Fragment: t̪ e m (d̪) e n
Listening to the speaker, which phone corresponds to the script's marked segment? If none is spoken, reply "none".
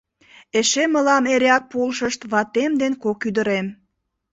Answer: d̪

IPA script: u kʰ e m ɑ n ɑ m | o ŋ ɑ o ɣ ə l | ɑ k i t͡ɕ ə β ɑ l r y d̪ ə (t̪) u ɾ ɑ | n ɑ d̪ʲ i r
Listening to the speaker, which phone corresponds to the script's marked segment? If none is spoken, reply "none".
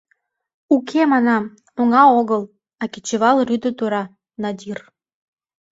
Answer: t̪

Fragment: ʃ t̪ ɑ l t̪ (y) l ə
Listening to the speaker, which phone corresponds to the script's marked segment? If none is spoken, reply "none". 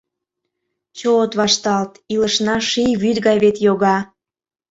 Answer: i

